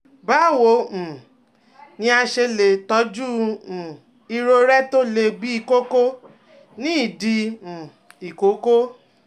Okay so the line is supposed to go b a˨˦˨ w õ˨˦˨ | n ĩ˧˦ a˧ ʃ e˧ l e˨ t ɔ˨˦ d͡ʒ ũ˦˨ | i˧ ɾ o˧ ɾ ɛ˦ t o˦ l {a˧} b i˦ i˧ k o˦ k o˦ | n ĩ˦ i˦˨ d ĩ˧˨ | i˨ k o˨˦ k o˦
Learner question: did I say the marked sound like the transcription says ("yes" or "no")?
no